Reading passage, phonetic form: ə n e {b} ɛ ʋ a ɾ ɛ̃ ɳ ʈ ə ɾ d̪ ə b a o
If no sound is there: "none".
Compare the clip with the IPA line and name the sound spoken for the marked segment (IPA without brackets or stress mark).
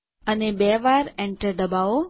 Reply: b